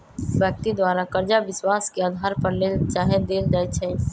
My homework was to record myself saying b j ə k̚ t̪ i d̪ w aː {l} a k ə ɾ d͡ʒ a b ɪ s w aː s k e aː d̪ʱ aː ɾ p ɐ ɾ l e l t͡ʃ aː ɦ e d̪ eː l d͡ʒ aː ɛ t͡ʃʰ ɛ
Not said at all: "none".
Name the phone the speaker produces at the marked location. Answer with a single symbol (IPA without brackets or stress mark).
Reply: ɾ